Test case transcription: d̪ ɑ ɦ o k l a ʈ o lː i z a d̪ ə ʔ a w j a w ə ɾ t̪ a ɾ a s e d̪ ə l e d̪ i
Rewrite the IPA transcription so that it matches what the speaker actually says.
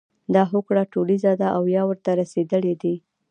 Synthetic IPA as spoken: d̪ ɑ ɦ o k ɽ a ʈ o l i z a d̪ a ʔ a w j ɑ w ə ɾ t̪ a ɾ a s e d̪ ə l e d̪ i